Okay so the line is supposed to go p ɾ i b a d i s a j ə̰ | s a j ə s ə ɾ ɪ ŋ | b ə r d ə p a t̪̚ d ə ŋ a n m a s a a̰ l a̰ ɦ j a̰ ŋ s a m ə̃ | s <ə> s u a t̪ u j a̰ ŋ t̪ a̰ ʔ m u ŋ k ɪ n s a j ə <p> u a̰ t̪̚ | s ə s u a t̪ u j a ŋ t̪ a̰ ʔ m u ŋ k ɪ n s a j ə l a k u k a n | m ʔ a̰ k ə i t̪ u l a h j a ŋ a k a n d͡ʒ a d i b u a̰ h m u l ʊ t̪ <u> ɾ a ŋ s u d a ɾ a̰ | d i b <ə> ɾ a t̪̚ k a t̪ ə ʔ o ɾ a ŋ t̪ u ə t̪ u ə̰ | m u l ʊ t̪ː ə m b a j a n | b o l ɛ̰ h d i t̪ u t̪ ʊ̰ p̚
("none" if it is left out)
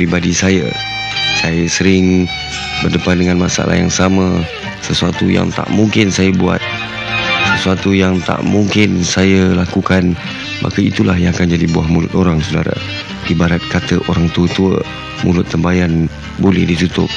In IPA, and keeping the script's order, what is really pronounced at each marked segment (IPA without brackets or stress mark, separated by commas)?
ə, b, o, a